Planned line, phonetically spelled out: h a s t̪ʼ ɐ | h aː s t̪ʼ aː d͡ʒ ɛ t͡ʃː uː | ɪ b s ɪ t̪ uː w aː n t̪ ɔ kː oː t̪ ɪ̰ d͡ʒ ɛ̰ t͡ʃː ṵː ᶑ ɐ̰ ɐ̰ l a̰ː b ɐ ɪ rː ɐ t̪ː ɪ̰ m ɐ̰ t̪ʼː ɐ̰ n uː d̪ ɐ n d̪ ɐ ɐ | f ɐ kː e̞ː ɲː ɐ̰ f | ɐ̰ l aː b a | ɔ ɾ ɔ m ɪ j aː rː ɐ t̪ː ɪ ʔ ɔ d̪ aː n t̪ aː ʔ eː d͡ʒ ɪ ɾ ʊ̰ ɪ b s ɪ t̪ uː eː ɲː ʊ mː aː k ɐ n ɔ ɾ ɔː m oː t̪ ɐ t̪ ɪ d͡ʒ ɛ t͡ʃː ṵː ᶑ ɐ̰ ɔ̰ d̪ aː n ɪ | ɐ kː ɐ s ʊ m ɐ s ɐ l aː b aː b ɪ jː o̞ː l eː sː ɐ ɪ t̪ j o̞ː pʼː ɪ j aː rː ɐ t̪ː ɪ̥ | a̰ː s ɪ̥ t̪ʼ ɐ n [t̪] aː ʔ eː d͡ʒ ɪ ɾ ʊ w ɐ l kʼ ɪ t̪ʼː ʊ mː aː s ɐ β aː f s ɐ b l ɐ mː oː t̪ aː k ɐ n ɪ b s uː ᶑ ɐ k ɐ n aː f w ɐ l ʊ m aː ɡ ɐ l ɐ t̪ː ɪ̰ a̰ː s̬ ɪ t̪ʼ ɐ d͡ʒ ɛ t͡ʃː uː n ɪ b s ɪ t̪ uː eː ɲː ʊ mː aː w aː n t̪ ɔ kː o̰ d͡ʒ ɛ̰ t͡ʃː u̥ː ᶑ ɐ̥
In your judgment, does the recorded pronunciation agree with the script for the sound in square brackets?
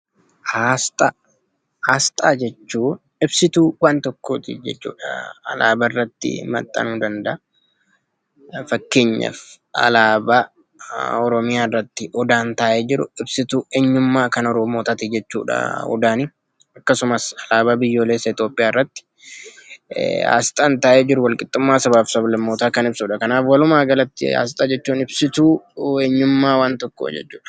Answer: yes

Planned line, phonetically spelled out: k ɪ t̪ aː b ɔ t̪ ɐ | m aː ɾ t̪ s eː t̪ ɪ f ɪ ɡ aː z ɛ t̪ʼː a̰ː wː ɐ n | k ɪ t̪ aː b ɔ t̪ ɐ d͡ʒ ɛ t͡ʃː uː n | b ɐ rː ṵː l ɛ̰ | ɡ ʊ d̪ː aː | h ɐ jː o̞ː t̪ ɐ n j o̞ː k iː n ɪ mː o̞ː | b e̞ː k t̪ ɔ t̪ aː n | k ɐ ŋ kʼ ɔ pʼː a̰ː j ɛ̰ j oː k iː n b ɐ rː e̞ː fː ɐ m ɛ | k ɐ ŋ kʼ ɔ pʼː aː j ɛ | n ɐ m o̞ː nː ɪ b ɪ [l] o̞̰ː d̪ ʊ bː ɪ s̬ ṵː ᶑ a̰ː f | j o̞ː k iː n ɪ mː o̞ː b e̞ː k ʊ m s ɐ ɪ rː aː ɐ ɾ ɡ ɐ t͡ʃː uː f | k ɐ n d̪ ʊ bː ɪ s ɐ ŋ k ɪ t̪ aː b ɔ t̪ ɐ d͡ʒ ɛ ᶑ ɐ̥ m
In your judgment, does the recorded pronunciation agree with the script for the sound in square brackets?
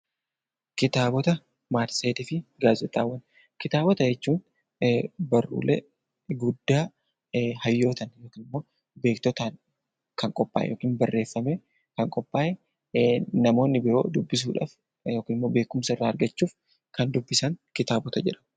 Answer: no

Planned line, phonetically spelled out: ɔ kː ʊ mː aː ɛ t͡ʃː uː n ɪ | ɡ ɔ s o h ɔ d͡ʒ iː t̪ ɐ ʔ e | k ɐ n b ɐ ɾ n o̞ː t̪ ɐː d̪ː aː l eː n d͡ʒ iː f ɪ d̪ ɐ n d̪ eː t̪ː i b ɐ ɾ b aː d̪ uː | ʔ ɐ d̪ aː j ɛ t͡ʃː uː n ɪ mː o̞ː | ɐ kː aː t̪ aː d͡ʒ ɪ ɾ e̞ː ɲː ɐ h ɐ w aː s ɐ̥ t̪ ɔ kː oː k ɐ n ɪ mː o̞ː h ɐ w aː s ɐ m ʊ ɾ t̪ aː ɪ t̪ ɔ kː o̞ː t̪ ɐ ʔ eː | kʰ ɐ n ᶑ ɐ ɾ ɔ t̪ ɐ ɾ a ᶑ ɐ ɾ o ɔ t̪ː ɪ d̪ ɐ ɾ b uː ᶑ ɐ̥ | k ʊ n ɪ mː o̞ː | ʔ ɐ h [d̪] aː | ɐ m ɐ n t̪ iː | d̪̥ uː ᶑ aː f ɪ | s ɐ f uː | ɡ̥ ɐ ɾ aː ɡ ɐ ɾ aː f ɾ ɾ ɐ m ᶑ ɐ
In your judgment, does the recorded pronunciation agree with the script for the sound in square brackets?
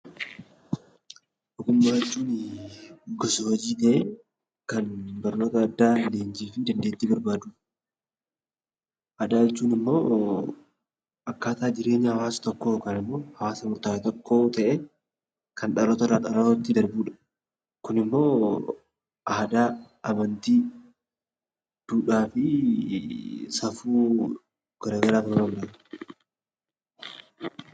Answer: yes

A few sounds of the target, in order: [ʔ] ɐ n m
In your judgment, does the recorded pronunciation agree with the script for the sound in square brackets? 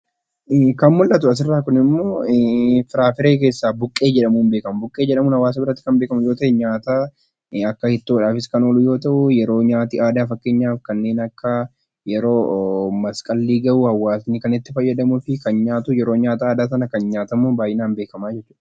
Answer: no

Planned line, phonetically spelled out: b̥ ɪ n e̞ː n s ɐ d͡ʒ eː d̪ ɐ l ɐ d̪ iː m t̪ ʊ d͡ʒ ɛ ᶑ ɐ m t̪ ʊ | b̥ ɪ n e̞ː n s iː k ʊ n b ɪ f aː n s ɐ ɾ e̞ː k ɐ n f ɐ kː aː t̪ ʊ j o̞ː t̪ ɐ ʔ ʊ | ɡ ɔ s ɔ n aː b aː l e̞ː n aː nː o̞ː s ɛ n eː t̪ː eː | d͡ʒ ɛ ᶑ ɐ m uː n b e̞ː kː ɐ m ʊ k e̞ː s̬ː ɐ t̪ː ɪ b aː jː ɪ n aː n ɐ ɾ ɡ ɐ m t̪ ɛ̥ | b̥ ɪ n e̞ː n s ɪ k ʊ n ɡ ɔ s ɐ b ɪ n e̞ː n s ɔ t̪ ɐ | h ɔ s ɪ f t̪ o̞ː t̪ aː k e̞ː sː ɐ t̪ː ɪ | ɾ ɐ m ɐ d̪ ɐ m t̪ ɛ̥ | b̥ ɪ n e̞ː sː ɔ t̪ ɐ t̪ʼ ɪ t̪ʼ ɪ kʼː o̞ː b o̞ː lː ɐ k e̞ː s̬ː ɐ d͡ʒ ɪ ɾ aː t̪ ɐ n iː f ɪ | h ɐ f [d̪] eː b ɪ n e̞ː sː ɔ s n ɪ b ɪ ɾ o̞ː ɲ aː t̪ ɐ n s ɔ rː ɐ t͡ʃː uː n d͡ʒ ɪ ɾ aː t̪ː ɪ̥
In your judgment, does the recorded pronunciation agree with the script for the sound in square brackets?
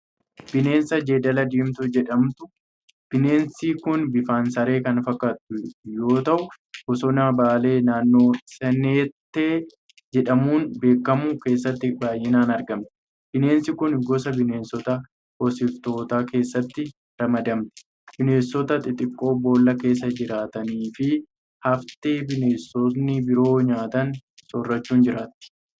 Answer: no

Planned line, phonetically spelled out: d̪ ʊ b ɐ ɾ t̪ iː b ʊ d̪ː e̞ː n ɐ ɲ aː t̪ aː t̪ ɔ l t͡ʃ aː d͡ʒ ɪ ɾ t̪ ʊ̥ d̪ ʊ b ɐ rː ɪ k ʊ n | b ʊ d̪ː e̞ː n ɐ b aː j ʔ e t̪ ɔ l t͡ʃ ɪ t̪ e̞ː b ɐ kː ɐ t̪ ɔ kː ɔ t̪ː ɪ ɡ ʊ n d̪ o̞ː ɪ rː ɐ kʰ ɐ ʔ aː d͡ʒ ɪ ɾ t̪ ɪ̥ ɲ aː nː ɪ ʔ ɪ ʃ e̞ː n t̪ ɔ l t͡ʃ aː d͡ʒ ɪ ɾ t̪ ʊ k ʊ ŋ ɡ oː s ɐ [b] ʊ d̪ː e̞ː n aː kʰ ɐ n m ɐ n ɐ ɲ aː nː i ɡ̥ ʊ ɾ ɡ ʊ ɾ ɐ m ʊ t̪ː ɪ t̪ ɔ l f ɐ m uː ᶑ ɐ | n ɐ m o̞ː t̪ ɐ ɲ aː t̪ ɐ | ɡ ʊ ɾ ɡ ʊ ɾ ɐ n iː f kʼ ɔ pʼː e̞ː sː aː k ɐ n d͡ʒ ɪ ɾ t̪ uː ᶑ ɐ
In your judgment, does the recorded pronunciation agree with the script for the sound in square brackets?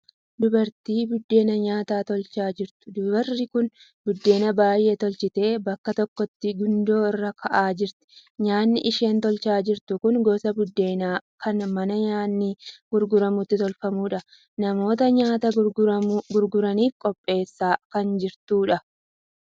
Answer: yes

